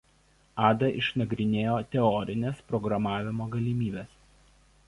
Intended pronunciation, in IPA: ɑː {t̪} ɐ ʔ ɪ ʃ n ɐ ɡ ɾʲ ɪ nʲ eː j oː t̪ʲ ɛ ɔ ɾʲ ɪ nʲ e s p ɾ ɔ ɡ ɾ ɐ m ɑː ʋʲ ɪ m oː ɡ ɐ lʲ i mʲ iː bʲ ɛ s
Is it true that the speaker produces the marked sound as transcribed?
no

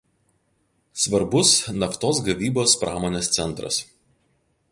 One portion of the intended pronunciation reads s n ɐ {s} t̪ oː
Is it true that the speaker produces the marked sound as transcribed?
no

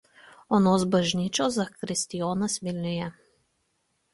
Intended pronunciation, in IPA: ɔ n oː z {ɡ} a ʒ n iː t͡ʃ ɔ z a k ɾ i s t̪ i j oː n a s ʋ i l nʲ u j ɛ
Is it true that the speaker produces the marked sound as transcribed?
no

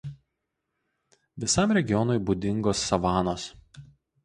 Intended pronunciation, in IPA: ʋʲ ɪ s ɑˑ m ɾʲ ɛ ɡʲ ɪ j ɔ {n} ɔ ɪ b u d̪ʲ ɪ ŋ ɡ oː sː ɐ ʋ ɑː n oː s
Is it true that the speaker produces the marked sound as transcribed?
yes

